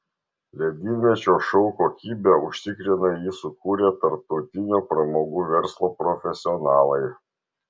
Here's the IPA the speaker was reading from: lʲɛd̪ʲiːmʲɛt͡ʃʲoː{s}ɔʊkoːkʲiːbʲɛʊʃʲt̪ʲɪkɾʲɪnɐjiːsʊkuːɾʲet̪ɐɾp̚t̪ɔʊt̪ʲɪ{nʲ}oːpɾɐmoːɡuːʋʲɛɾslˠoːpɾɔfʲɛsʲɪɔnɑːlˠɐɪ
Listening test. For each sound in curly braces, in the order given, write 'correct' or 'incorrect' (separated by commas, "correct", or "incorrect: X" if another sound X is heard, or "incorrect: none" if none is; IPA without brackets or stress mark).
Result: incorrect: ʃ, correct